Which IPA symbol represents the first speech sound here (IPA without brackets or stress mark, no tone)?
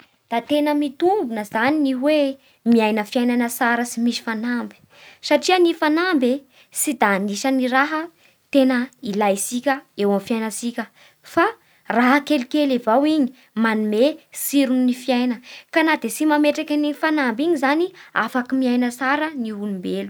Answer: d̪̥